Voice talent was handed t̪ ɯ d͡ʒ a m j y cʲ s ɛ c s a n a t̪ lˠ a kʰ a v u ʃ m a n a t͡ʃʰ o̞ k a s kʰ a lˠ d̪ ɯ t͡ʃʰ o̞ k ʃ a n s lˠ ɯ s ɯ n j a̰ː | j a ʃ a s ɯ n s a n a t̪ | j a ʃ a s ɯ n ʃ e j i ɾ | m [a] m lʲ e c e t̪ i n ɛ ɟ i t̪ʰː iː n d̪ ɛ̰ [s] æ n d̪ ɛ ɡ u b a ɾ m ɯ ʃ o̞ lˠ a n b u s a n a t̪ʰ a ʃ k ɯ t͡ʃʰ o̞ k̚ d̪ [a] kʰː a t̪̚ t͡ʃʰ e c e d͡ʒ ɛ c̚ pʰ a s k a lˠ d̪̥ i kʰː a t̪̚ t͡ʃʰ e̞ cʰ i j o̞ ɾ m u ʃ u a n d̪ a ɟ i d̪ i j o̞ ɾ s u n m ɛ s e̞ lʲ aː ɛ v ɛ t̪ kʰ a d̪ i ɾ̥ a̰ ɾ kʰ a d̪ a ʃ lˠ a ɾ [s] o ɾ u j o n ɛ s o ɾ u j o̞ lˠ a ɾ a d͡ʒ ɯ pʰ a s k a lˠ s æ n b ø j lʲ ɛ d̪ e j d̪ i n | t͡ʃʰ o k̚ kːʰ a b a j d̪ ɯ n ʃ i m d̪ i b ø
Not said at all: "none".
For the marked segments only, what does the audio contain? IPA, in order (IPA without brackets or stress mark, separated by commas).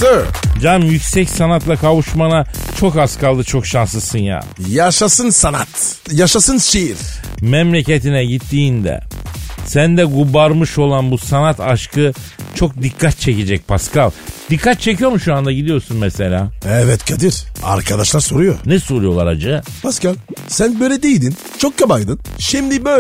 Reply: ɛ, s, i, s